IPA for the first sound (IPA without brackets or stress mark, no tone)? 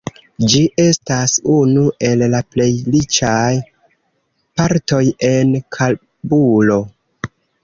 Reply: d͡ʒ